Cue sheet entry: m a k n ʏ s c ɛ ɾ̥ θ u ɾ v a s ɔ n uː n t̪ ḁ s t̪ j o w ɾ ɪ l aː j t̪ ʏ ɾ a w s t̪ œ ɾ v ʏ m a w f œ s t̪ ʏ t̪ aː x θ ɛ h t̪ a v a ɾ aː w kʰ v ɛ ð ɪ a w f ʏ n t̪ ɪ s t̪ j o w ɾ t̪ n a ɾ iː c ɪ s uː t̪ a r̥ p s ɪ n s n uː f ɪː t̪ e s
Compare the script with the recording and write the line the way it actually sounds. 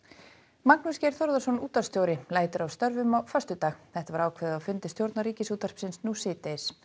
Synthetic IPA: m a k n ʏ s c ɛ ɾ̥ θ ɔ ɾ ð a s ɔ n uː t̪ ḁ s t̪ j o w ɾ ɪ l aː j t̪ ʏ ɾ a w s t̪ œ ɾ v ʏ m a w f œ s t̪ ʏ t̪ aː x θ ɛ h t̪ a v a ɾ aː w kʰ v ɛ ð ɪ a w f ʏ n t̪ ɪ s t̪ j o w ɾ t̪ n a ɾ iː c ɪ s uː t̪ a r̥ p s ɪ n s n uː s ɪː t̪ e s